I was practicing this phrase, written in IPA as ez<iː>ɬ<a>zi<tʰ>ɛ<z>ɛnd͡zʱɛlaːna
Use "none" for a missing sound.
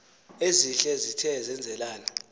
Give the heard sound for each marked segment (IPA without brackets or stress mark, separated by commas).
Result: i, ɛ, tʰ, z